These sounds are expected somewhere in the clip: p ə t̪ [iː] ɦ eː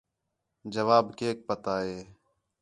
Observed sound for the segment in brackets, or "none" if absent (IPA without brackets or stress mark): aː